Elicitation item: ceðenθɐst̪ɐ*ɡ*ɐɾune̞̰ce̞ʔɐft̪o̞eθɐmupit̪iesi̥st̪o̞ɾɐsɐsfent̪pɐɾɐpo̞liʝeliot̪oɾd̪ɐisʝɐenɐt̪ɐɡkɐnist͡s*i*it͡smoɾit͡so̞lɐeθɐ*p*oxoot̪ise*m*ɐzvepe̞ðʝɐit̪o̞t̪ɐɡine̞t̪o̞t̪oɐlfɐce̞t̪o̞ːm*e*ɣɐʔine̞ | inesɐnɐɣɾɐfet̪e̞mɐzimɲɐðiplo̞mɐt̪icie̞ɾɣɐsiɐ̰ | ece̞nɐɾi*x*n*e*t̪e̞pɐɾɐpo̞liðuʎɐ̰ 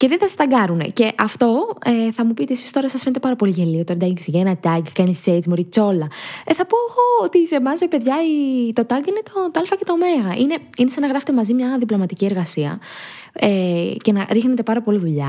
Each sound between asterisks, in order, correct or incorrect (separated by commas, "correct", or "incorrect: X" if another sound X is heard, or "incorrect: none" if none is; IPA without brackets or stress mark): correct, incorrect: e, correct, correct, correct, correct, correct